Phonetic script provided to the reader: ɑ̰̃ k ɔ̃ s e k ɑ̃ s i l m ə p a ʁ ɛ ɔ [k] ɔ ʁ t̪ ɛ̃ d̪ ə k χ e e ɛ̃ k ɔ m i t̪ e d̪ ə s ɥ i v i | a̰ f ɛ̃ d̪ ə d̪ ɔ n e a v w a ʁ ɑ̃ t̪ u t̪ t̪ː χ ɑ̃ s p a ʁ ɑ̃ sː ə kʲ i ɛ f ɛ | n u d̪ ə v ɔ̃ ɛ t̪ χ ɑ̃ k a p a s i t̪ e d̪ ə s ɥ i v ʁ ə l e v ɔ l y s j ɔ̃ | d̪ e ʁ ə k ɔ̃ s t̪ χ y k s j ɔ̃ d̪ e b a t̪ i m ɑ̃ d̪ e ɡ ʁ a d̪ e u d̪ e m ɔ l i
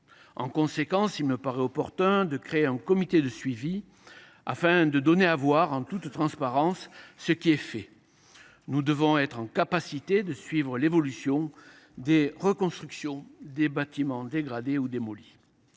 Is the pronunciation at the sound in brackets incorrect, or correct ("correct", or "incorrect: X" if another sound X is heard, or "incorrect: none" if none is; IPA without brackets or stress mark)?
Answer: incorrect: p